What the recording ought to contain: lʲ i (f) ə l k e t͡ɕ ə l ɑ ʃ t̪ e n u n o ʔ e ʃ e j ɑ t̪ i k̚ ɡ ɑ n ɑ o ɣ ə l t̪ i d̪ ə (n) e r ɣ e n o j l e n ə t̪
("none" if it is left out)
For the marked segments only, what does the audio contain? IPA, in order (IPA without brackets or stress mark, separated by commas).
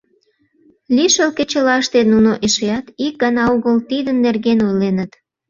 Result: ʃ, nː